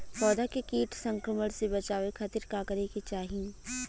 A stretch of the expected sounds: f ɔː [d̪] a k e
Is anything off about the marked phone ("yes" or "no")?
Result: no